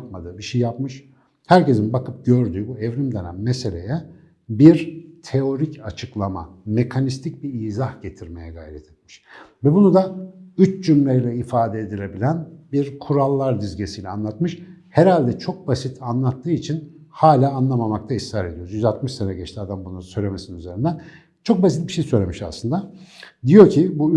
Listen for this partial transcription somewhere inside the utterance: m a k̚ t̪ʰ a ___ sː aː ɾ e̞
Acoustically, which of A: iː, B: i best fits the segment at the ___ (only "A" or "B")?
B